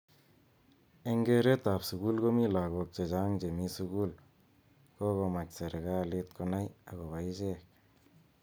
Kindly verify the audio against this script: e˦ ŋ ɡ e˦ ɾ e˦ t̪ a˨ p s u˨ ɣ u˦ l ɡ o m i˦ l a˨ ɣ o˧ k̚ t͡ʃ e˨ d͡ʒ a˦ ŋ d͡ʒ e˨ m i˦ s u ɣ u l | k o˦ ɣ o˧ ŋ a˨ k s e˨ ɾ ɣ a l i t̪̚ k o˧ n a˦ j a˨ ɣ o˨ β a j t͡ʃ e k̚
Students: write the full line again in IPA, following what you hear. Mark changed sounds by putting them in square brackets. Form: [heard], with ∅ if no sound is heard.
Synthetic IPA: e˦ ŋ ɡ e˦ ɾ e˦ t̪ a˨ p s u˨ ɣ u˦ l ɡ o m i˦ l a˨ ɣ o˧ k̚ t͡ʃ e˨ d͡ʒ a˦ ŋ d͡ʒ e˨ m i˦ s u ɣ u l | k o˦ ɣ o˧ [m] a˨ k s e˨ ɾ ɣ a l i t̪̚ k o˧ n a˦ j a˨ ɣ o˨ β a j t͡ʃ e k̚